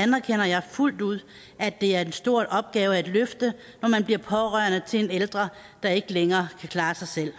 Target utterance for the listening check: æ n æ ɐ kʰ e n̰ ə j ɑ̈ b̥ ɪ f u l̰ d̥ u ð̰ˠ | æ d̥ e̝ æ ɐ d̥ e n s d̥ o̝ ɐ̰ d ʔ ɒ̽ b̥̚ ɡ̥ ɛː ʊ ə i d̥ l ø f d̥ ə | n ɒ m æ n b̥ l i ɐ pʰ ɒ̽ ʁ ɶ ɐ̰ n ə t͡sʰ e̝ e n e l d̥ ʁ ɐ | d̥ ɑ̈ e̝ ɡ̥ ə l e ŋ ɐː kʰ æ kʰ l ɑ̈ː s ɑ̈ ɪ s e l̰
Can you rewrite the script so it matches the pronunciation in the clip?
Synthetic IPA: æ n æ ɐ kʰ e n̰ ɐ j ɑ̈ ɪ f u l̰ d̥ u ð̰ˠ | æ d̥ e̝ æ ɐ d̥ e n s d̥ o̝ ɐ̰ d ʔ ɒ̽ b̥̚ ɡ̥ ɛː ʊ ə æ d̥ l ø f d̥ ə | n ɒ m æ n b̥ l i ɐ pʰ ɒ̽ ʁ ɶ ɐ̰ n ə t͡sʰ e̝ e n e l d̥ ʁ ɐ | d̥ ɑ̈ e̝ ɡ̥ ə l e ŋ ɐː kʰ æ kʰ l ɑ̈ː s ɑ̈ ɪ s e l̰